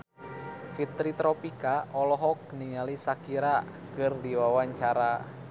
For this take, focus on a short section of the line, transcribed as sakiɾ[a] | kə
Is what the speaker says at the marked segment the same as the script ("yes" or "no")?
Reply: yes